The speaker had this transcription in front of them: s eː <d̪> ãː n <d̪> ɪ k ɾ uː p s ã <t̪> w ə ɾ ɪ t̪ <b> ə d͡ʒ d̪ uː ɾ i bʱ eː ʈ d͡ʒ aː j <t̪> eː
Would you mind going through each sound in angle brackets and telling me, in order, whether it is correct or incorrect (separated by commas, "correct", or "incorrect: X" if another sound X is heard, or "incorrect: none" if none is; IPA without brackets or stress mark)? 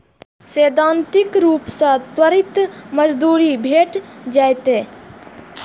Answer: correct, incorrect: t̪, correct, incorrect: m, correct